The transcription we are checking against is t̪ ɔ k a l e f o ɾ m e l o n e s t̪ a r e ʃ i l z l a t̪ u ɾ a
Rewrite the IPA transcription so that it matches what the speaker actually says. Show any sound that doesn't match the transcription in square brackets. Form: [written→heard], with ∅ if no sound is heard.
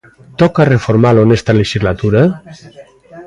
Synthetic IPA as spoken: t̪ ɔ k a [l→r] e f o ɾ m [e→a] l o n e s t̪ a [r→l] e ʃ i [l→∅] z l a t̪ u ɾ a